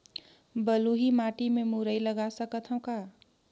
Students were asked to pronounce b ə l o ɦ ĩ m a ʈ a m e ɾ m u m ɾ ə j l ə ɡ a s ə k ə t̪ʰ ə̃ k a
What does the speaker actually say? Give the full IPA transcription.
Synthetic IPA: b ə l u ɦ i m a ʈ i m e m u ɾ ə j l ə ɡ a s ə k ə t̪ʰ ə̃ k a